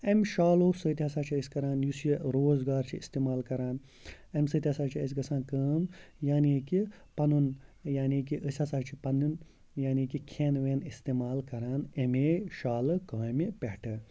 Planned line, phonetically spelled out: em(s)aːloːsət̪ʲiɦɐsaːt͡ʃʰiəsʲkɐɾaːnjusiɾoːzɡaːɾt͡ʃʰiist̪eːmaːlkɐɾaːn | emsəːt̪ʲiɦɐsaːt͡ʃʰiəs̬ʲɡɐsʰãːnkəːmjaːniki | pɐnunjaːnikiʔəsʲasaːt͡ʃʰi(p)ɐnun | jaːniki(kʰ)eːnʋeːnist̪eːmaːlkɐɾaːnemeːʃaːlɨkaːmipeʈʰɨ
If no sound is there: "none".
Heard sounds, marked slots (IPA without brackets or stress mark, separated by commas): ʃ, p, kʰ